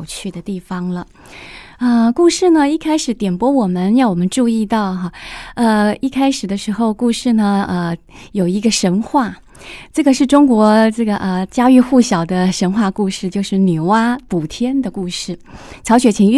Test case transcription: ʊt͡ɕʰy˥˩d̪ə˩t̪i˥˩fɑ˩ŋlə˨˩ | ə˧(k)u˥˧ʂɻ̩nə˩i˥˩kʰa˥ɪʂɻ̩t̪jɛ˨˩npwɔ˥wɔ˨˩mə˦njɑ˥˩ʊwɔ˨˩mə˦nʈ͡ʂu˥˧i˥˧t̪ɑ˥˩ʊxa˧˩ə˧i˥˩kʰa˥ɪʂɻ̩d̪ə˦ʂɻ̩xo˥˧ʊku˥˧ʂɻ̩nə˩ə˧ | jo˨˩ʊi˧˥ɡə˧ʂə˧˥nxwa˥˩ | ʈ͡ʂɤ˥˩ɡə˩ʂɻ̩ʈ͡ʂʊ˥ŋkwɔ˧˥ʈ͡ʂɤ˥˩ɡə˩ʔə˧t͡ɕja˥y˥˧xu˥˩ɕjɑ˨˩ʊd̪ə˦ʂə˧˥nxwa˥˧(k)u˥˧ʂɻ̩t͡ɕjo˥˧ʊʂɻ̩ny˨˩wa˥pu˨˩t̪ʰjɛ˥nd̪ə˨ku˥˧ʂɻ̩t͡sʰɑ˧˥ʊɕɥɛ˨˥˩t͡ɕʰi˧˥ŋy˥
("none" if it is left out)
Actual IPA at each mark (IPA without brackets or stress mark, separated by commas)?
k, k